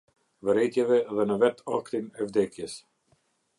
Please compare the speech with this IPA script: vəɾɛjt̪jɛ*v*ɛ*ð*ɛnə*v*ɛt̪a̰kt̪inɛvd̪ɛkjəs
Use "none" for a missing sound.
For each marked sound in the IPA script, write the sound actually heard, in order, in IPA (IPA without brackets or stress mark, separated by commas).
v, ð, v